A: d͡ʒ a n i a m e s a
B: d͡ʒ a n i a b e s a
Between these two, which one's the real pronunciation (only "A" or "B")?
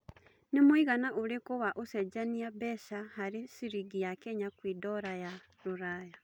B